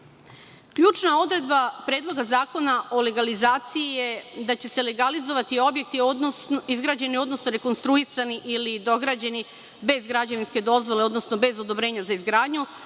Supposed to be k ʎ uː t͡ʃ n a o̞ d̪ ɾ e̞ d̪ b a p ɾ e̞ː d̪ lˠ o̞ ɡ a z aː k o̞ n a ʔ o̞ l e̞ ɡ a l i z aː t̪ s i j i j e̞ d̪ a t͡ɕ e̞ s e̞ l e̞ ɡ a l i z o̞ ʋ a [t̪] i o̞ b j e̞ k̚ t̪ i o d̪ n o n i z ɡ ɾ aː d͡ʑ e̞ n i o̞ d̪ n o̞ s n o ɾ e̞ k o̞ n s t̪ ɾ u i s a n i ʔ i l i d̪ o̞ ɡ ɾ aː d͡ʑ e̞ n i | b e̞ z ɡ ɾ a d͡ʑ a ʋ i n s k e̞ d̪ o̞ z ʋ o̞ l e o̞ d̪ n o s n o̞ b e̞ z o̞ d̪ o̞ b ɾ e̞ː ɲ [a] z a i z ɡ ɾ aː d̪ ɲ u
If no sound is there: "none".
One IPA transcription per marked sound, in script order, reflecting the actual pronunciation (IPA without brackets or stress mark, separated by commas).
t̪, a